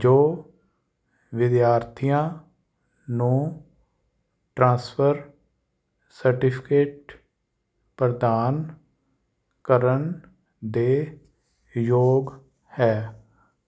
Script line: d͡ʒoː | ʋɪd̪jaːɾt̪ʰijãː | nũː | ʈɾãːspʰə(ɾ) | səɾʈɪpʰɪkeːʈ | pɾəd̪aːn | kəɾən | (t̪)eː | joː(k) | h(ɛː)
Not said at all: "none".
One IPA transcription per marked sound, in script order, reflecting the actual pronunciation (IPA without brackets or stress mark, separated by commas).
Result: ɾ, d̪, ɡ, ɛː